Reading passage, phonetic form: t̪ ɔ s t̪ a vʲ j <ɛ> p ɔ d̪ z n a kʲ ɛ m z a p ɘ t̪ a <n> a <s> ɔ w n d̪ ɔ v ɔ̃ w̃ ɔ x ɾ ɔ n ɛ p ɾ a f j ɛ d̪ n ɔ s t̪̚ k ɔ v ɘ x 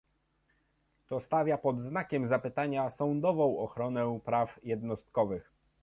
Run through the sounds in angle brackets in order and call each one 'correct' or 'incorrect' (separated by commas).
incorrect, incorrect, correct